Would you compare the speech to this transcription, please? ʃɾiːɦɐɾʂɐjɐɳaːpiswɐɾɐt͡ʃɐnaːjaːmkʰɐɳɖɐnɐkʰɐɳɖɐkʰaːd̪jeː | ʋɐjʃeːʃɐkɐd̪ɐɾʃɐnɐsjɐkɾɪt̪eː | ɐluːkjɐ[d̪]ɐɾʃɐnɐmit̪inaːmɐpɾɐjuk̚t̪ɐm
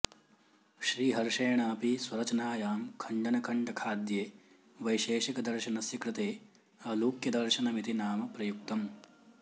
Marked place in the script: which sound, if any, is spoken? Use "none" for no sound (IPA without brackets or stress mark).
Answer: d̪